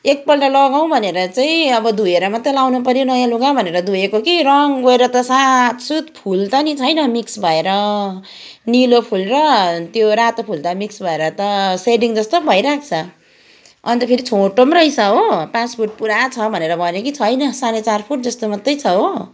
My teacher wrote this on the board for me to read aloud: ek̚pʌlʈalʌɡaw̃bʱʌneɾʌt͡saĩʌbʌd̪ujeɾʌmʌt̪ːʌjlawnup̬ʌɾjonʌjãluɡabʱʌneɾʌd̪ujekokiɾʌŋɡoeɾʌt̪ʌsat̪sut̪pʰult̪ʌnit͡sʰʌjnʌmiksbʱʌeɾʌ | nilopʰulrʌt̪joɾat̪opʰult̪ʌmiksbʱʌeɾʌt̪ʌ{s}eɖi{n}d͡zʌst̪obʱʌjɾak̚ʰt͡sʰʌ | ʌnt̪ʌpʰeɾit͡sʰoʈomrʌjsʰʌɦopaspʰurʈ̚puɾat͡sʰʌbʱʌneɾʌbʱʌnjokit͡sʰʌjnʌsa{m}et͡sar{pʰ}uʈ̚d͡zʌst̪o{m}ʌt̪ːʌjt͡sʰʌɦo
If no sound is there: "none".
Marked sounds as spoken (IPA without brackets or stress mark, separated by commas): s, ŋ, n, pʰ, m